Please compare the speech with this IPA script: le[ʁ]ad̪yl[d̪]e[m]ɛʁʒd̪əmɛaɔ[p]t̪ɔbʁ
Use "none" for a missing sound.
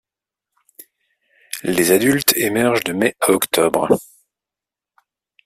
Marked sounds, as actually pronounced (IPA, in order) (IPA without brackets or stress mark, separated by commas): z, t̪, m, k